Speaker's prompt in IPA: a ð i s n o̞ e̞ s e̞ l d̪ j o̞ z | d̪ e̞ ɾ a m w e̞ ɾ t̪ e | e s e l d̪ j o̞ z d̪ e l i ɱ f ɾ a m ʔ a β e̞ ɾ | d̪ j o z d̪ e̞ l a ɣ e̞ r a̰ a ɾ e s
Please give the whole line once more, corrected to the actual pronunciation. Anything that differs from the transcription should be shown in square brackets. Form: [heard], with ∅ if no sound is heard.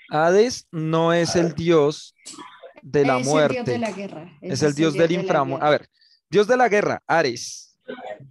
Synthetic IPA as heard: a ð [e] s n o̞ e̞ s e̞ l d̪ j o̞ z | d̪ e̞ [l] a m w e̞ ɾ t̪ e | e s e l d̪ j o̞ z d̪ e l i ɱ f ɾ a m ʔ a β e̞ ɾ | d̪ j o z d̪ e̞ l a ɣ e̞ r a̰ a ɾ e s